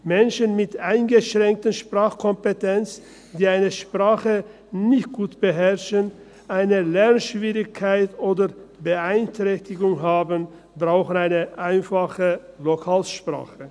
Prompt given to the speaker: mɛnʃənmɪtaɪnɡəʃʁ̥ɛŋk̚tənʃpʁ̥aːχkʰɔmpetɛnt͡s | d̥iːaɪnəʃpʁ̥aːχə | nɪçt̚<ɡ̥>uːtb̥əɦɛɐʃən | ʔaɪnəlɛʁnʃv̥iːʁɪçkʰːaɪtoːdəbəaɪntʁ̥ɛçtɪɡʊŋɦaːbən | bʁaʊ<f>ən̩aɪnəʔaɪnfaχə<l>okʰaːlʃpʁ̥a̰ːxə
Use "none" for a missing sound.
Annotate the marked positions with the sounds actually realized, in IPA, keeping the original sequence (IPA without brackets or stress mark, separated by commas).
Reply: ɡ̥, x, l